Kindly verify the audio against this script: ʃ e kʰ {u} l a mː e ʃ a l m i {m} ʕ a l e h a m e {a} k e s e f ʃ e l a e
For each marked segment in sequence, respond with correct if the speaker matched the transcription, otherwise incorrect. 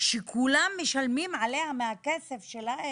correct, correct, correct

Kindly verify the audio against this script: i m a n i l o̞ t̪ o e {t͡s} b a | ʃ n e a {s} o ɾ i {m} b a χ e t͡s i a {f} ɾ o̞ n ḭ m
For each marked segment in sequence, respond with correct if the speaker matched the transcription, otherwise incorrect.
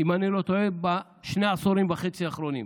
incorrect: none, correct, correct, incorrect: χ

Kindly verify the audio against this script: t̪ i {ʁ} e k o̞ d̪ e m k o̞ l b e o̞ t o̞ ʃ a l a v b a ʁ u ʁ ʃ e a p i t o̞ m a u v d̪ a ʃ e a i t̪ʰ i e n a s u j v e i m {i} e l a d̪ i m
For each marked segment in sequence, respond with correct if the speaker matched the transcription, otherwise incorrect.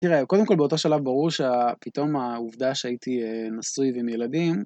correct, incorrect: j

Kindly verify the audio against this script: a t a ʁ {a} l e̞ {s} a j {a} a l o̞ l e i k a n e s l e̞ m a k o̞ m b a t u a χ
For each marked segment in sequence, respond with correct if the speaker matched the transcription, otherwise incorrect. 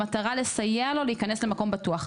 correct, correct, incorrect: e

